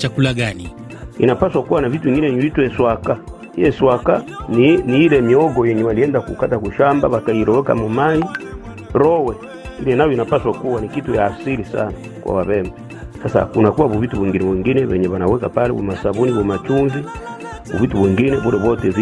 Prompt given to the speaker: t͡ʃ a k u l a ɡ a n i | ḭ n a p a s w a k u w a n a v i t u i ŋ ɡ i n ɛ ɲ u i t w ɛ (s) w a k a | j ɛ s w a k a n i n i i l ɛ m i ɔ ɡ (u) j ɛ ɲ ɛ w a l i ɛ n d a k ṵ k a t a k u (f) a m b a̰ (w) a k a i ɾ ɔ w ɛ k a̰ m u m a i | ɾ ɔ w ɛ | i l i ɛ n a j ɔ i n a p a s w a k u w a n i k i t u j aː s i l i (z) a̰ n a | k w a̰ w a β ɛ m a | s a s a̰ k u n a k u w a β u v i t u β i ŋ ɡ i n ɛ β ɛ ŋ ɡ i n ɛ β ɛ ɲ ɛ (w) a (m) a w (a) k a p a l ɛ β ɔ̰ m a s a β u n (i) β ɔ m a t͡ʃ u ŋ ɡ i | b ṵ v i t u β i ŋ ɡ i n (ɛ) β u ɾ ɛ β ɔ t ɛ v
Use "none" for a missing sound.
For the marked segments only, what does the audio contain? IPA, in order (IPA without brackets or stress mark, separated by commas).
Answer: s, ɔ, ʃ, β, s, β, n, ɛ, i, ɛ